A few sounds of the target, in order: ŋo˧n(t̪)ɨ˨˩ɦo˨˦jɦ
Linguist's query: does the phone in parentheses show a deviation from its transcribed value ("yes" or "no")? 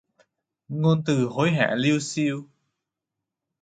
no